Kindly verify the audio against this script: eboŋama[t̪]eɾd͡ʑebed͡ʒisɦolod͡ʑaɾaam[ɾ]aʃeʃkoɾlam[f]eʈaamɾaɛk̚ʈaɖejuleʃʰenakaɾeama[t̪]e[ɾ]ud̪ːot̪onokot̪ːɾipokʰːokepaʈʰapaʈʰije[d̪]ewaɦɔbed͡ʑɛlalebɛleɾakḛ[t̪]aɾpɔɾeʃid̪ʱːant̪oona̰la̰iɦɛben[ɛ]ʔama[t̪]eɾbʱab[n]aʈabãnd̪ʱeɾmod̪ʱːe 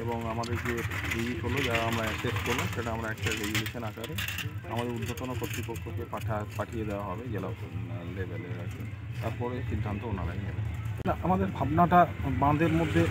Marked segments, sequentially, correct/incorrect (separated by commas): incorrect, correct, incorrect, incorrect, correct, correct, correct, incorrect, incorrect, correct